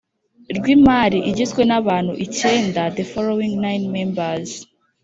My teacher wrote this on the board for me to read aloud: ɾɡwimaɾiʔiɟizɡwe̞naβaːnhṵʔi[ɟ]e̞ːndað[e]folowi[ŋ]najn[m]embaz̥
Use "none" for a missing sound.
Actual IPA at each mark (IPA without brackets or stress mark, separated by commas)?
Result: c, e, ŋ, m